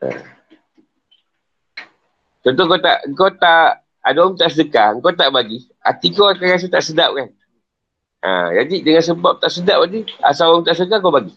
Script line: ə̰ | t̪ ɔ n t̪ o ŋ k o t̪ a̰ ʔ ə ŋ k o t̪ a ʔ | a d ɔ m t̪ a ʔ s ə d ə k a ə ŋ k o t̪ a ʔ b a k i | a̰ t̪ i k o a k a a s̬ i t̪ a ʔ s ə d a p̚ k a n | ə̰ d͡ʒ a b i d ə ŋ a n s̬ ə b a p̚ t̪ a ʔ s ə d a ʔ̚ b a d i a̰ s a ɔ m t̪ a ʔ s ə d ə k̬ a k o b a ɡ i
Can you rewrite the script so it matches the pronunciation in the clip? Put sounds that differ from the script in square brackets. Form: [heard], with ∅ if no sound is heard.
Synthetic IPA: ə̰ | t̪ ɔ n t̪ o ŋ k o t̪ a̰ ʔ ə ŋ k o t̪ a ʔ | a d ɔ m t̪ a ʔ s ə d ə k a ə ŋ k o t̪ a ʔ b a [ɡ] i | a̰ t̪ i k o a k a a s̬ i t̪ a ʔ s ə d a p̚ k a n | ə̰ d͡ʒ a [d] i d ə ŋ a n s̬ ə b a p̚ t̪ a ʔ s ə d a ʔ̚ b a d i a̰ s a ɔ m t̪ a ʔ s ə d ə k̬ a k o b a ɡ i